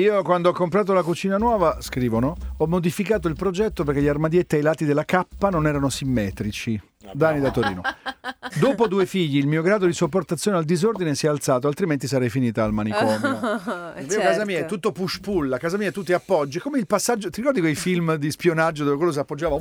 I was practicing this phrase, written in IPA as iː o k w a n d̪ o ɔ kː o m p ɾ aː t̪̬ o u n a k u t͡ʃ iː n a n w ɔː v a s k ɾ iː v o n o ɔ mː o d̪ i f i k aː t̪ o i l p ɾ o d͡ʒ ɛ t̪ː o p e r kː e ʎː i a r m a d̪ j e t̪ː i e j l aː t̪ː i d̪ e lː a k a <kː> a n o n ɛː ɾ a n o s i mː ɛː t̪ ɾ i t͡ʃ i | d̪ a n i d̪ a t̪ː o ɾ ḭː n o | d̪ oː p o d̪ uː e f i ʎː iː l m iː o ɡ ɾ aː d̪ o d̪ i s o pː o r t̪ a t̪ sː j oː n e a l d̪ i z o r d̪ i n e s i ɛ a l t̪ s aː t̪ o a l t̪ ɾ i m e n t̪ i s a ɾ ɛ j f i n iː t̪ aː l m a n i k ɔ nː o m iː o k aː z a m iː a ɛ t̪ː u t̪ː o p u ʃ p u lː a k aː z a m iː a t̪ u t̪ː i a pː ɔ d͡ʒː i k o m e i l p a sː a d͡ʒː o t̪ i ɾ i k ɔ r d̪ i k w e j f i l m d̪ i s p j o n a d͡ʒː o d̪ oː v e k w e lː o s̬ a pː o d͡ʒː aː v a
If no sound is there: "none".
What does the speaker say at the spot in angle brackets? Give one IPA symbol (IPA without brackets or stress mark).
pː